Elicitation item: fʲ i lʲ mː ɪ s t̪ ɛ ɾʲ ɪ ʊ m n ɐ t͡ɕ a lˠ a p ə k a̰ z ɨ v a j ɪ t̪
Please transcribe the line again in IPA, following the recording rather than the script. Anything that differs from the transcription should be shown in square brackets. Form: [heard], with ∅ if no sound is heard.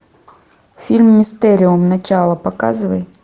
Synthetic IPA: fʲ i lʲ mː ɪ s t̪ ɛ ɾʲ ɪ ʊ m n ɐ t͡ɕ a lˠ [ə] p [ɐ] k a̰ z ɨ v [ə] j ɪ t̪